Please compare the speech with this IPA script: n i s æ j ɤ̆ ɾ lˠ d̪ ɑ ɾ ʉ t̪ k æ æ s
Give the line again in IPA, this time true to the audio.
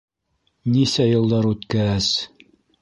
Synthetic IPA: n i s æ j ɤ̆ lˠ d̪ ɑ ɾ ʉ t̪ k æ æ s